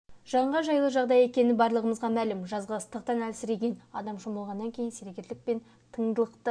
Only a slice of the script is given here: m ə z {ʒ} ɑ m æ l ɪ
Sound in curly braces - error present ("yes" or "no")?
yes